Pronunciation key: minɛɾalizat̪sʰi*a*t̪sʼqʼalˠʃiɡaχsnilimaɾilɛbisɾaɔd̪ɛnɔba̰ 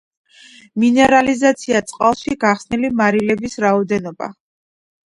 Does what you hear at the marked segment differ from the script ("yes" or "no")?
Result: no